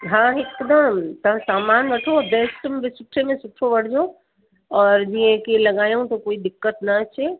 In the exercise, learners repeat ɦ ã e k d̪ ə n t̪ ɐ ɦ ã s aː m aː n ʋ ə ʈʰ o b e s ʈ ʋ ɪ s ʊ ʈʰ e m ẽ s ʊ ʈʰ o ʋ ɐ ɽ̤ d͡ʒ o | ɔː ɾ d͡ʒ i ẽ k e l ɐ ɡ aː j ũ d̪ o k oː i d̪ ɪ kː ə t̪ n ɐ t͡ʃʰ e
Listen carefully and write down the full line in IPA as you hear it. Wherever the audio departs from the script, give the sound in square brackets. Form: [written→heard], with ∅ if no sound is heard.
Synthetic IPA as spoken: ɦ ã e k d̪ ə [n→m] t̪ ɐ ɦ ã s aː m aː n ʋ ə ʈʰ o b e s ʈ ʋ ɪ s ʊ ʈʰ e m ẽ s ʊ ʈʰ o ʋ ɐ ɽ̤ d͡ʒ o | ɔː ɾ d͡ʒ i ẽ k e l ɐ ɡ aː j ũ [d̪→t̪] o k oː i d̪ ɪ kː ə t̪ n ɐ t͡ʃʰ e